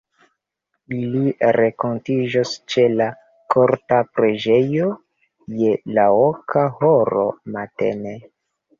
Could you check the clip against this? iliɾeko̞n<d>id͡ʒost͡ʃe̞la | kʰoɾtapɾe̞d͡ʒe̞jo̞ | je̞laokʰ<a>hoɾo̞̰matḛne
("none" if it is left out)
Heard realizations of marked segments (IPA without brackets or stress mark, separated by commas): t, a